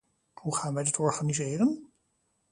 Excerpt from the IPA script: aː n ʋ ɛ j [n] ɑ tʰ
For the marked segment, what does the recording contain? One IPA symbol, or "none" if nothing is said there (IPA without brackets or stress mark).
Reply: d